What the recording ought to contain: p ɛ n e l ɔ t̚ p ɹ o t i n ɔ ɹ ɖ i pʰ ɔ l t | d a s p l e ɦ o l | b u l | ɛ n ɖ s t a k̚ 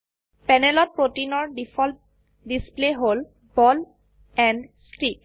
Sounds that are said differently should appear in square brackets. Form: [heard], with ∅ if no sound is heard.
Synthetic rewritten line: p ɛ n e l ɔ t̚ p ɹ o t i n ɔ ɹ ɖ i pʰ ɔ l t | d [i] s p l e ɦ o l | b [ɔ] l | ɛ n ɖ s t [i] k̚